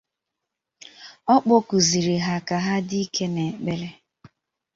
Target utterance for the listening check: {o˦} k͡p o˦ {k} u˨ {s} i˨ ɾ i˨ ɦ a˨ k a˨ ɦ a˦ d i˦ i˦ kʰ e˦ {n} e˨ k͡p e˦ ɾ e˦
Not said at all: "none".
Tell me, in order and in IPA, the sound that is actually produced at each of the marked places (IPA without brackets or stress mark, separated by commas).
ɔ˦, k, z, n